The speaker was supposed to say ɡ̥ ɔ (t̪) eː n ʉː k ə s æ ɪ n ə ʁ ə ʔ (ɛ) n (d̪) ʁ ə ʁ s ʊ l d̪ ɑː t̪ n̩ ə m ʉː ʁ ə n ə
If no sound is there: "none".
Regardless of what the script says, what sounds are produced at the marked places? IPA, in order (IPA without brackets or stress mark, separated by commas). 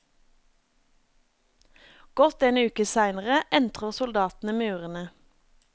t̪, ɛ, t̪